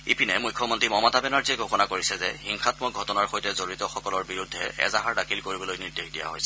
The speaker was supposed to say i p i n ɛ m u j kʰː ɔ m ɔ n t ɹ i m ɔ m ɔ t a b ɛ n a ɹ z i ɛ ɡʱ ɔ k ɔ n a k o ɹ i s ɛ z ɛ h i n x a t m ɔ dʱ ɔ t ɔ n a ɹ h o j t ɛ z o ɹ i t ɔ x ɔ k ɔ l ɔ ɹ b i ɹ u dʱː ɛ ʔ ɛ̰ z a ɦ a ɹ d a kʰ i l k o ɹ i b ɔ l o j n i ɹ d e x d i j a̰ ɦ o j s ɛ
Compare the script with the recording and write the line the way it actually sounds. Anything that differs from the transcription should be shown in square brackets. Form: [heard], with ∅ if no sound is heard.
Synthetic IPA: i p i n ɛ m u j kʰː ɔ m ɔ n t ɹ i m ɔ m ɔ t a b ɛ n a ɹ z i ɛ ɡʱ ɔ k ɔ n a k o ɹ i s ɛ z ɛ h i [ŋ] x a t m ɔ [ɡʱ] ɔ t ɔ n a ɹ [x] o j t ɛ z o ɹ i t ɔ x ɔ k ɔ l ɔ ɹ b i ɹ u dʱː ɛ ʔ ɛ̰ z a ɦ a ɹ d a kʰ i l k o ɹ i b ɔ l o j n i ɹ d e x d i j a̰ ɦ o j s ɛ